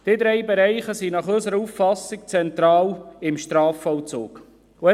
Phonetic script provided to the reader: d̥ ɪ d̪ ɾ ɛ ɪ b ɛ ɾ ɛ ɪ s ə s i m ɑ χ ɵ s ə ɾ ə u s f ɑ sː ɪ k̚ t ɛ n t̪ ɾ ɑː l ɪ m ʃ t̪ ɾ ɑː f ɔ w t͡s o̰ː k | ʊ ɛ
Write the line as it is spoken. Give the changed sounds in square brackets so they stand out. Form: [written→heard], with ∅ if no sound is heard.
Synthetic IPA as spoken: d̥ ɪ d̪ ɾ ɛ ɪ b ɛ ɾ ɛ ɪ [s→χ] ə s i [m→n] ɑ χ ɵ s ə ɾ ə u [s→f] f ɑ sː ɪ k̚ [t→t͡s] ɛ n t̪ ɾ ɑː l ɪ m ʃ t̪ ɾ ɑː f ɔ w t͡s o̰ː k | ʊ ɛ